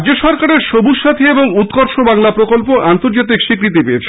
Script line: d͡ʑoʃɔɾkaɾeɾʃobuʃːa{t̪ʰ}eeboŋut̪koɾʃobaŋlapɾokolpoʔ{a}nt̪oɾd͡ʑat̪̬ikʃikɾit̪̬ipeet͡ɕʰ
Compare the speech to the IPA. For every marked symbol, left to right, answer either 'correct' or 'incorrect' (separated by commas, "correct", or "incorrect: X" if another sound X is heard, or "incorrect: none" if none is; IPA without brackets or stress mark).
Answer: correct, correct